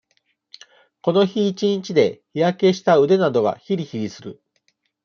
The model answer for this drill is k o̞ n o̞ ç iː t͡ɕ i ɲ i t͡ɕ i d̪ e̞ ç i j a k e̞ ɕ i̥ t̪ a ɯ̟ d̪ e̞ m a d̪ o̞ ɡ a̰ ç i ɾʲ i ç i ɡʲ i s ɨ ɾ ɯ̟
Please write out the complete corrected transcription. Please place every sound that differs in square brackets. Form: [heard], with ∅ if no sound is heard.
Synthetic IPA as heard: k o̞ n o̞ ç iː t͡ɕ i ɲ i t͡ɕ i d̪ e̞ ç i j a k e̞ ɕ i̥ t̪ a ɯ̟ d̪ e̞ [n] a d̪ o̞ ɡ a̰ ç i ɾʲ i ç i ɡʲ i s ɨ ɾ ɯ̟